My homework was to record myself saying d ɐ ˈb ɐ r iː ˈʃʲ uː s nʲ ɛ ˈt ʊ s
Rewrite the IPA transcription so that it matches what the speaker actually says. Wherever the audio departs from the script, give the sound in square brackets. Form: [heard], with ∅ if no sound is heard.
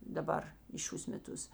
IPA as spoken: d ɐ ˈb ɐ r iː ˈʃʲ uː s [mʲ] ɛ ˈt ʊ s